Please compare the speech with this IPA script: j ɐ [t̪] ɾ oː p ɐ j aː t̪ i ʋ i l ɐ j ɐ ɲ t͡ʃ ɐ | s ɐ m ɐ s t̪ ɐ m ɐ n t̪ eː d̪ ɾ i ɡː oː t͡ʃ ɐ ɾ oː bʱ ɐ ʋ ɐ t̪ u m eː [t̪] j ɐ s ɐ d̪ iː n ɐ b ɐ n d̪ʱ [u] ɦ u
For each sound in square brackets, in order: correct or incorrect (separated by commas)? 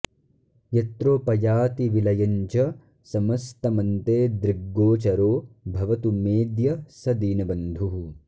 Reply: correct, incorrect, correct